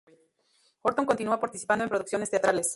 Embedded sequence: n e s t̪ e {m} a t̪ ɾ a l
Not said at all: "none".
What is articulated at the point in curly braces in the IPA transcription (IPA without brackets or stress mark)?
none